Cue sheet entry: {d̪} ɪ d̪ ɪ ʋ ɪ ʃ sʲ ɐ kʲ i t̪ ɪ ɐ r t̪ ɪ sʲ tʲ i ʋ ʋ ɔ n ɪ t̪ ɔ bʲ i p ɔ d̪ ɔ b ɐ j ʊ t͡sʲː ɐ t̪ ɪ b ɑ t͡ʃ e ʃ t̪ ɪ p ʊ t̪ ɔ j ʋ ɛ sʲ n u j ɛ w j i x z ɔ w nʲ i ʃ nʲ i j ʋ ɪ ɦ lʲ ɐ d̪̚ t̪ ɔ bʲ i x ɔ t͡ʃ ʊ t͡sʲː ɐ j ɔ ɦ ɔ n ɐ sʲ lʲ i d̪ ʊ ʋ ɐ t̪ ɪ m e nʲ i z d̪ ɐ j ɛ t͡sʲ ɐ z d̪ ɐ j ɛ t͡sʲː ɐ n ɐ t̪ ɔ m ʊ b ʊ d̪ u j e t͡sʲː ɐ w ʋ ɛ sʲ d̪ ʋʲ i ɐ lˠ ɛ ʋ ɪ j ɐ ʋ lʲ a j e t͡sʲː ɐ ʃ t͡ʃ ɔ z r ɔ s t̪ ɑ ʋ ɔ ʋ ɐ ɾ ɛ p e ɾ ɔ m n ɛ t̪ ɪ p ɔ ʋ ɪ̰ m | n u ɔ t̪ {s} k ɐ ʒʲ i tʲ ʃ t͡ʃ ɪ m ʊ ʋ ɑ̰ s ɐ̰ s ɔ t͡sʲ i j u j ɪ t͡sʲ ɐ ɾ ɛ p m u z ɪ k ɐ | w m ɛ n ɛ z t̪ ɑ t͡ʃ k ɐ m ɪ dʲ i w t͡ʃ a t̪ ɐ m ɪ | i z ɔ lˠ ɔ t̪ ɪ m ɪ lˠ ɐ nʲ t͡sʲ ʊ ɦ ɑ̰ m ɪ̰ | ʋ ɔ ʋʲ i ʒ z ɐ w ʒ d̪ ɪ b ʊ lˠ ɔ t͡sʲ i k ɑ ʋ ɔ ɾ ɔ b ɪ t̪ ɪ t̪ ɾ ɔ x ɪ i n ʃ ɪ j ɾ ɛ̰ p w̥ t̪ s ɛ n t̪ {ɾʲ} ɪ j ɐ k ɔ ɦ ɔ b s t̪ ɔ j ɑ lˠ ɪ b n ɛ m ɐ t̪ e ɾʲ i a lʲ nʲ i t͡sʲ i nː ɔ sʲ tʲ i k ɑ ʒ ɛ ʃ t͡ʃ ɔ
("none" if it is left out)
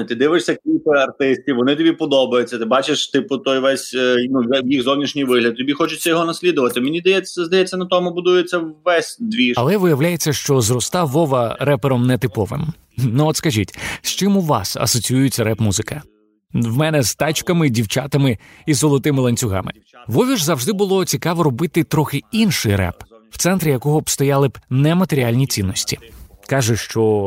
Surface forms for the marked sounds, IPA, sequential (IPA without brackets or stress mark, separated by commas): t̪, s, ɾʲ